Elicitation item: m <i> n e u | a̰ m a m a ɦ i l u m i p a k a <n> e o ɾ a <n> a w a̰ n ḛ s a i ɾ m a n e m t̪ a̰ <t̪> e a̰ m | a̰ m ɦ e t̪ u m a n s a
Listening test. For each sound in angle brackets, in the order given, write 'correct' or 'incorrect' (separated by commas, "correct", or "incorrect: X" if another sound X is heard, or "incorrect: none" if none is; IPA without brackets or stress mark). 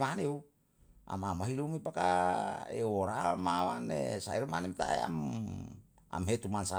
incorrect: a, incorrect: none, incorrect: m, incorrect: none